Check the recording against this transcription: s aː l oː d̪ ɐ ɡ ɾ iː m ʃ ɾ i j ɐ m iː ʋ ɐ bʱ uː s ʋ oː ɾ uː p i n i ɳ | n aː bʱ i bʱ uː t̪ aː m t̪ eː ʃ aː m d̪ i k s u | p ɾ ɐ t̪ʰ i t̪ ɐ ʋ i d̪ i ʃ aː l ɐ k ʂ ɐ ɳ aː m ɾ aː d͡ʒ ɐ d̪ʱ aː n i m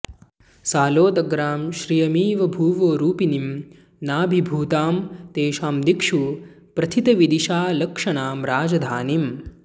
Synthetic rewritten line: s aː l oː d̪ ɐ ɡ ɾ aː m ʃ ɾ i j ɐ m iː ʋ ɐ bʱ uː ʋ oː ɾ uː p i n i m | n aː bʱ i bʱ uː t̪ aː m t̪ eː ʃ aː m d̪ i k ʂ u | p ɾ ɐ t̪ʰ i t̪ ɐ ʋ i d̪ i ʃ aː l ɐ k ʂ ɐ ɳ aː m ɾ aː d͡ʒ ɐ d̪ʱ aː n i m